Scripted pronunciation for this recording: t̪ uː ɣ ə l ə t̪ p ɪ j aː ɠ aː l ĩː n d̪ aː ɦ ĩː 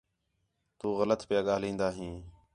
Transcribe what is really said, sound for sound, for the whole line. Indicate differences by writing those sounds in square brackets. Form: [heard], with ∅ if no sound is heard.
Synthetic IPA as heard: t̪ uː ɣ ə l ə t̪ p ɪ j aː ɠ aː l ĩː n d̪ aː ɦ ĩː